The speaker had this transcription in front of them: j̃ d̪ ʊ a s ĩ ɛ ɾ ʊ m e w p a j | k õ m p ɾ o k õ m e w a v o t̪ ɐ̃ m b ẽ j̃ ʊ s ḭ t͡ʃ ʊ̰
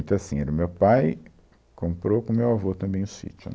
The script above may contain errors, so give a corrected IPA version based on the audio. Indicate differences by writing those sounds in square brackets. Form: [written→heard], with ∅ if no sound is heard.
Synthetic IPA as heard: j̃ [d̪→t̪] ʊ a s ĩ ɛ ɾ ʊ m e w p a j | k õ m p ɾ o k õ m e w a v o t̪ ɐ̃ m b ẽ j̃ ʊ s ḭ t͡ʃ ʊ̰